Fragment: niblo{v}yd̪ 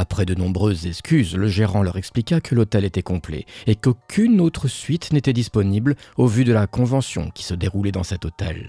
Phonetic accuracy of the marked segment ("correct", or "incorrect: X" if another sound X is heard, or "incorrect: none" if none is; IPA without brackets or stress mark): correct